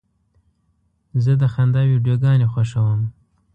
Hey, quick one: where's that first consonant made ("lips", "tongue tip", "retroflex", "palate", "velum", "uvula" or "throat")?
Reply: tongue tip